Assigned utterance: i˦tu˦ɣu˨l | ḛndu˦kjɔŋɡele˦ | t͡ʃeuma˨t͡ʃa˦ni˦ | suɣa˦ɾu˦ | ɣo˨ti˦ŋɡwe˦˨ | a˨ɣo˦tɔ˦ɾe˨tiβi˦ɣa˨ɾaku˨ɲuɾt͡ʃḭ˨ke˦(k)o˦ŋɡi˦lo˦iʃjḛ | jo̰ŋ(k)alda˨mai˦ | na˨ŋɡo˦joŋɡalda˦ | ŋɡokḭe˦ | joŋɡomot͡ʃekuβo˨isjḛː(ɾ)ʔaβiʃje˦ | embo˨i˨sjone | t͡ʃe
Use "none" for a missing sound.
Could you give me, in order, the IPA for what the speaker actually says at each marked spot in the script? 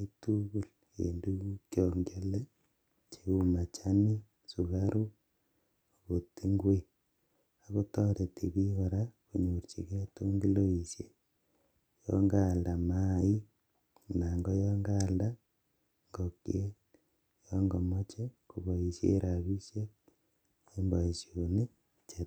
t, ɡ, ɾ

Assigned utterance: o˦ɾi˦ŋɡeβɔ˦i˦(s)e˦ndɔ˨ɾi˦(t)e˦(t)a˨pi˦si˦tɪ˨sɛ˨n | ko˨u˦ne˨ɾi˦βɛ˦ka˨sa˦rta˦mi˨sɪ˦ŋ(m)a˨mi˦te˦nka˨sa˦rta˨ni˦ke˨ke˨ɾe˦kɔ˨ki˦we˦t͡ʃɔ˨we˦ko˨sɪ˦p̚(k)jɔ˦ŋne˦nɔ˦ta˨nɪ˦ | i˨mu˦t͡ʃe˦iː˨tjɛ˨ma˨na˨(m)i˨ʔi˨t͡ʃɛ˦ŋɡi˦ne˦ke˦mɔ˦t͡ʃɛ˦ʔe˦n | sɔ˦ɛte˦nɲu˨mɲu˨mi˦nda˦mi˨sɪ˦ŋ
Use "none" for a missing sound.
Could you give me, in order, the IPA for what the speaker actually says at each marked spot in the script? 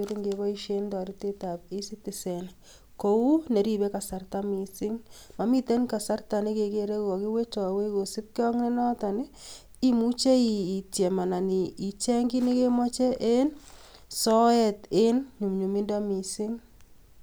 ʃ, t, t, m, k, n

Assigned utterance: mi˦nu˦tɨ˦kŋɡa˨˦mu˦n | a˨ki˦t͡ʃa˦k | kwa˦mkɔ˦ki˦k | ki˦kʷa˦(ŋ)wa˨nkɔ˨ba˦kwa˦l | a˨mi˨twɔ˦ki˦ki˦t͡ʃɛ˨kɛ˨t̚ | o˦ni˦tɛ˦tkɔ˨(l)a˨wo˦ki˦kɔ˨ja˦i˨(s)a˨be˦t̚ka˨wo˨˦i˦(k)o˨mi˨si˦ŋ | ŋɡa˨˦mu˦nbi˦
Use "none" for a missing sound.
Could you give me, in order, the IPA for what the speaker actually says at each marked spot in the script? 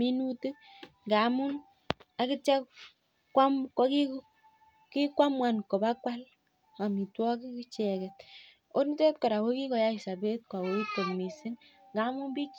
m, ɾ, s, t

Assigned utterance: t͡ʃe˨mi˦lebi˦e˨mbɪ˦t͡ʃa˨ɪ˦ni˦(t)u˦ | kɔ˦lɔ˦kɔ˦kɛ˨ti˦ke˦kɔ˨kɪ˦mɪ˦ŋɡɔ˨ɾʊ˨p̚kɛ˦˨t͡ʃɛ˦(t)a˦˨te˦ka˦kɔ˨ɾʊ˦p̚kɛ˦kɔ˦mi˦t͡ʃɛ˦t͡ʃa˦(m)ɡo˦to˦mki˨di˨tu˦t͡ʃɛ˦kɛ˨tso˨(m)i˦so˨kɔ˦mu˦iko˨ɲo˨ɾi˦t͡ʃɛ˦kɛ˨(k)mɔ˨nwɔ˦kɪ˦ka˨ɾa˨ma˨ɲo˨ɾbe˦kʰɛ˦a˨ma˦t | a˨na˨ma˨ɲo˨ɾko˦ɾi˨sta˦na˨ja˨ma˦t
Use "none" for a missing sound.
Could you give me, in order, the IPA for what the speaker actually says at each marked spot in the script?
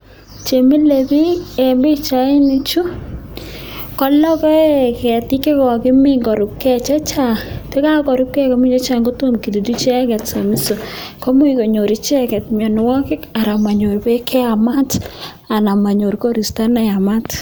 t͡ʃ, t͡ʃ, ŋ, m, t

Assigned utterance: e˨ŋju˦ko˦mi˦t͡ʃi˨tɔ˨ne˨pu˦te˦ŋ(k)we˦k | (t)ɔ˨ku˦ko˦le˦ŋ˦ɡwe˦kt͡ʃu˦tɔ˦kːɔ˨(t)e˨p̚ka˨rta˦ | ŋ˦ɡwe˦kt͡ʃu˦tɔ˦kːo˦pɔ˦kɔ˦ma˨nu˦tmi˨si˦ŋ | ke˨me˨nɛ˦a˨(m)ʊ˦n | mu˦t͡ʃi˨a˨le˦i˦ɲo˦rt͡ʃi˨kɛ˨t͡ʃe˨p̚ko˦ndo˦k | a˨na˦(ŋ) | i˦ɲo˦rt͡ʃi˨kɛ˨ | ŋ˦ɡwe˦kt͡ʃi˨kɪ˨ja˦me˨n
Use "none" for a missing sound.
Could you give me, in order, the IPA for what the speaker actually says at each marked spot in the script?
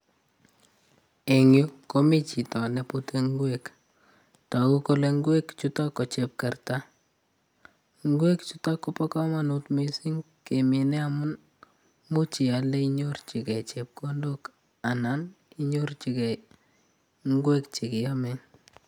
ɡ, t, t͡ʃ, m, n

